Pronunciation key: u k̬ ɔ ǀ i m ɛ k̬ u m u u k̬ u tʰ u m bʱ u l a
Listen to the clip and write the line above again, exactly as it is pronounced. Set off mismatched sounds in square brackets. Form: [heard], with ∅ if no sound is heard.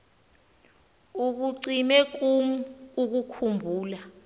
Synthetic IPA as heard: u k̬ [u] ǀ i m ɛ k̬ u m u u k̬ u [kʰ] u m bʱ [uː] l a